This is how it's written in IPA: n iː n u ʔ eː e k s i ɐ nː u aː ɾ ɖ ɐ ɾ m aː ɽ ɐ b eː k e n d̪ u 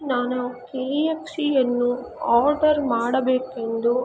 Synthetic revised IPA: n aː n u k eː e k s i ɐ nː u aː ɾ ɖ ɐ ɾ m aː ɽ ɐ b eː k e n d̪ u